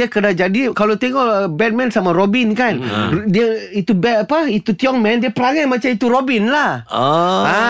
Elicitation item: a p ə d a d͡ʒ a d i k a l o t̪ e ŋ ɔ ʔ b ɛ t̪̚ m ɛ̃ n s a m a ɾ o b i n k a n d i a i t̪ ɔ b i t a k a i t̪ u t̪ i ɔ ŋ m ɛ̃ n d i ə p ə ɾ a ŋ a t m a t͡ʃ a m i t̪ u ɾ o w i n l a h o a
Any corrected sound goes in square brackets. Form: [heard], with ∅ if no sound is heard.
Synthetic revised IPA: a [k] ə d a d͡ʒ a d i k a l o t̪ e ŋ ɔ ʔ b ɛ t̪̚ m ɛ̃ n s a m a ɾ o b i n k a n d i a i t̪ [u] b [ɛ] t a [p] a i t̪ u t̪ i ɔ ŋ m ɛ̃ n d i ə p ə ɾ a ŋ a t m a t͡ʃ a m i t̪ u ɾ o [b] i n l a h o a